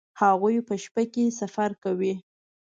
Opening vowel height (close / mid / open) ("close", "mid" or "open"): open